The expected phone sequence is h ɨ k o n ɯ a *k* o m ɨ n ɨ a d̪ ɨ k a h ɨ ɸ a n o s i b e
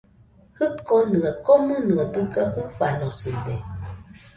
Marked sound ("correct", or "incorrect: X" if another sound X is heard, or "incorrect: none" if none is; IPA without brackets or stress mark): correct